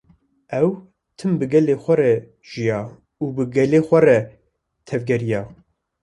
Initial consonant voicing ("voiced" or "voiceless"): voiced